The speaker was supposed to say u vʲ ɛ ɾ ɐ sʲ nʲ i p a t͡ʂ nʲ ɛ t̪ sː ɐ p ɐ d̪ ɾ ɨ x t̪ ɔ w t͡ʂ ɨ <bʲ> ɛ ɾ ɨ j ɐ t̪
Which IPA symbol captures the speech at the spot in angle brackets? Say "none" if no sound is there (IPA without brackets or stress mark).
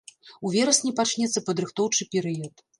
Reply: pʲ